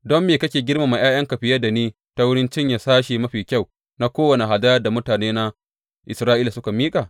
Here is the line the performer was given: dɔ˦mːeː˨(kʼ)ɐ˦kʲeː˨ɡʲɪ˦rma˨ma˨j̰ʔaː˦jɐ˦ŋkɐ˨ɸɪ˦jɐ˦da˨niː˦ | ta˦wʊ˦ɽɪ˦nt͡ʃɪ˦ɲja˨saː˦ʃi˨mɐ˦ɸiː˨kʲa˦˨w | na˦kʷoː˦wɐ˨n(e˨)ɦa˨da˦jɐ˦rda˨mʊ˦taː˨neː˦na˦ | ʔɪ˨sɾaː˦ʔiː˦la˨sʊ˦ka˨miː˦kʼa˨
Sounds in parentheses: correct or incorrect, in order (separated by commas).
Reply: incorrect, correct